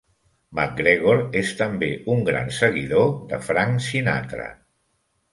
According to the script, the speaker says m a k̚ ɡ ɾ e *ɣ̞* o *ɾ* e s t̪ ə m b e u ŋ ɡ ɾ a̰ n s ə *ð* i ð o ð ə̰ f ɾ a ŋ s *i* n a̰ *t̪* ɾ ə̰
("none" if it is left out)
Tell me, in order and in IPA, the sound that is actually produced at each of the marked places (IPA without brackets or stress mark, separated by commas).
ɣ̞, ɾ, ɣ, i, t̪